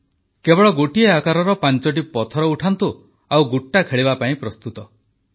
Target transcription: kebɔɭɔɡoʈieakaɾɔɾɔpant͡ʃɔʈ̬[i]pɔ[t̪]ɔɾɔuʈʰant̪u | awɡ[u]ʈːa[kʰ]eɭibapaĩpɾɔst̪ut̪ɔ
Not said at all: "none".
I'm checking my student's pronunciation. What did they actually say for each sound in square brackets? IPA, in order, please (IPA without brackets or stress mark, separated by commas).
i, t̪ʰ, u, kʰ